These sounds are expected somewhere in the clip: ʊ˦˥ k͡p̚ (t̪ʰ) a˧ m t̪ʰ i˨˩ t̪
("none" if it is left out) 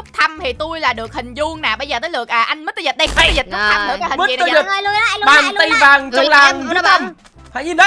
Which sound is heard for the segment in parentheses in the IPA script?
t̪ʰ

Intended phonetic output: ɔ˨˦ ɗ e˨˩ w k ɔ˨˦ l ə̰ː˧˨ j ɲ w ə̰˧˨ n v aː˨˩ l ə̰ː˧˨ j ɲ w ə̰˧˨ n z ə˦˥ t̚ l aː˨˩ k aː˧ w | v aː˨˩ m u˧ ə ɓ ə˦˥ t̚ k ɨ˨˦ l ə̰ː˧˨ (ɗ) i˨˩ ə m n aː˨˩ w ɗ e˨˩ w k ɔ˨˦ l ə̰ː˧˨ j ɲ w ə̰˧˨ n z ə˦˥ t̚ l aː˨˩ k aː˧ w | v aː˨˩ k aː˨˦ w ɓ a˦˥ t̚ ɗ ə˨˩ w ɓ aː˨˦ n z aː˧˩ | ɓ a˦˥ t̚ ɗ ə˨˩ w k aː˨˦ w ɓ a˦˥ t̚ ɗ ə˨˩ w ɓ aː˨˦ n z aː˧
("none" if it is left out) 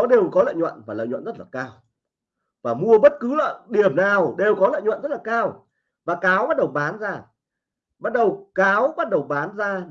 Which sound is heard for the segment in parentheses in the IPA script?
ɗ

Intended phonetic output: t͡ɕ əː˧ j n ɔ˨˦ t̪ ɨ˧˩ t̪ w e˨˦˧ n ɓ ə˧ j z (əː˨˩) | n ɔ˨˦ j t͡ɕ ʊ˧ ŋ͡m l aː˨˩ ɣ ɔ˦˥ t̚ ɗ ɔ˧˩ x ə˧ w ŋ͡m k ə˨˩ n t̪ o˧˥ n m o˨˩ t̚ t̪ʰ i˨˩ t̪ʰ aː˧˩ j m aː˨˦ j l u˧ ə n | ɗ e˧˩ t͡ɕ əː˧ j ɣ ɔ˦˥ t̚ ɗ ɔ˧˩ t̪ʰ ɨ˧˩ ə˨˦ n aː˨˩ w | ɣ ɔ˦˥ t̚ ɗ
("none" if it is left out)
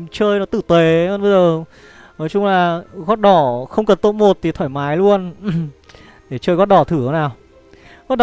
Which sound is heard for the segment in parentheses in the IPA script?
əː˨˩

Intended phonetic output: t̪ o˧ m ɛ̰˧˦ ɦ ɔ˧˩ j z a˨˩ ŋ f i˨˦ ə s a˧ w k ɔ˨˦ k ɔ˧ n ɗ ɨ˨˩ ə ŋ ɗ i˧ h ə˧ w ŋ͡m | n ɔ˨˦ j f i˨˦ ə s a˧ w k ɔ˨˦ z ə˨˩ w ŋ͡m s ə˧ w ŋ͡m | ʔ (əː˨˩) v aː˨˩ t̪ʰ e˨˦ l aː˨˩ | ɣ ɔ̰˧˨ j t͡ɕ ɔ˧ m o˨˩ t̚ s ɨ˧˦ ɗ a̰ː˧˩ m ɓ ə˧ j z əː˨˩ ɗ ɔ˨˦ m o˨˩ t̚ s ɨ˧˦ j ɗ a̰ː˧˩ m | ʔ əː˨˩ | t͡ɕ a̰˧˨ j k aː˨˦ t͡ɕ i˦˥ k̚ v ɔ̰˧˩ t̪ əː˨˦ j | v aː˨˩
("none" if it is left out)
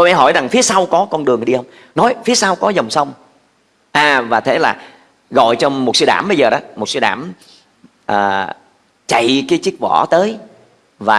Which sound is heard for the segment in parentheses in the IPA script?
aː˨˩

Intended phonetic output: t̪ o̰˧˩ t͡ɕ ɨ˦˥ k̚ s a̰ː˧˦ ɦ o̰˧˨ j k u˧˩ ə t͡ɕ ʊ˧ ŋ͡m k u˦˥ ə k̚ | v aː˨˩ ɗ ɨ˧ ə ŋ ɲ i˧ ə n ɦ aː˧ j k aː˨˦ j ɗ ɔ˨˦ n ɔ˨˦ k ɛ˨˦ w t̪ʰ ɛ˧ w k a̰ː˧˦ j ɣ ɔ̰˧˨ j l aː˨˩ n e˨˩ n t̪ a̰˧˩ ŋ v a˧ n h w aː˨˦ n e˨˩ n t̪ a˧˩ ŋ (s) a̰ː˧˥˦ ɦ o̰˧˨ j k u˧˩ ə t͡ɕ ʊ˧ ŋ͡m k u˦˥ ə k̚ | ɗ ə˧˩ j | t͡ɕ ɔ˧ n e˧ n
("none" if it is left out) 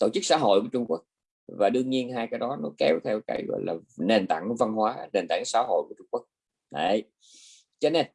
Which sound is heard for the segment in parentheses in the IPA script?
s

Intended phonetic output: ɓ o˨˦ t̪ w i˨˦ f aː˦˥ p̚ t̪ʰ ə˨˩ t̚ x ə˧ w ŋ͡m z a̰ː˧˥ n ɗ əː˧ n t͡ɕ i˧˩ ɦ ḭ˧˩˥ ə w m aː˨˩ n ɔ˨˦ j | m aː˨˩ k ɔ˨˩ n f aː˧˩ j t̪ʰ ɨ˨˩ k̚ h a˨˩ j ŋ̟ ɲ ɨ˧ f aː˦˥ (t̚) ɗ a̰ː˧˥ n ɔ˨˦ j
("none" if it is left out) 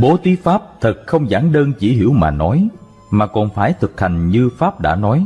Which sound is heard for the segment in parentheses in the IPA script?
p̚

